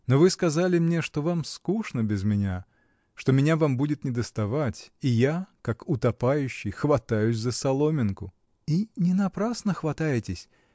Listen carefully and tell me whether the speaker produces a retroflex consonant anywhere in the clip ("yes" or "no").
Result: yes